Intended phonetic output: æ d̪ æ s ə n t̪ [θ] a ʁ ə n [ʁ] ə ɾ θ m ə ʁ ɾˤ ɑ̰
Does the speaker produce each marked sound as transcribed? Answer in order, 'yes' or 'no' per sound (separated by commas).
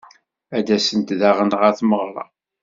no, yes